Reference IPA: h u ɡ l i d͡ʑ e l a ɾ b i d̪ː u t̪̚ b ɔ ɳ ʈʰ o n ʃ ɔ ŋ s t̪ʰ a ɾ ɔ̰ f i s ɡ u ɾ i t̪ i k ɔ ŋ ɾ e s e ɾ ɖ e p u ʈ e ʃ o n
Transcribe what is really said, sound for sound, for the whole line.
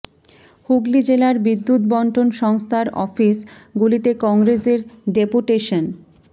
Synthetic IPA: h u ɡ l i d͡ʑ e l a ɾ b i d̪ː u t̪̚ b ɔ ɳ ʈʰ o n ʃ ɔ ŋ s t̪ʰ a ɾ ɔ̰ f i s ɡ u l i t̪ e k ɔ ŋ ɾ e s e ɾ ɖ e p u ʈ e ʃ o n